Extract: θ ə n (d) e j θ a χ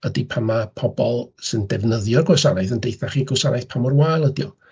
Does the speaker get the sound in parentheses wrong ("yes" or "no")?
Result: no